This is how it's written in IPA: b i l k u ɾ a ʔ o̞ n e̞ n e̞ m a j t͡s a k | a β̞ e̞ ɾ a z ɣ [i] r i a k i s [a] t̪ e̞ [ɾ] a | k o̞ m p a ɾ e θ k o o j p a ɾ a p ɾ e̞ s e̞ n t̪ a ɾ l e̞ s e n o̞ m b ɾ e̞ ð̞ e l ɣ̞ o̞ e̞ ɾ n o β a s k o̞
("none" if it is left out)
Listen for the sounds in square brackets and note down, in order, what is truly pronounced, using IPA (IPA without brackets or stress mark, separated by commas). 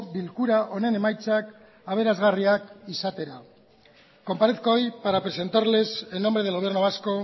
a, a, ɾ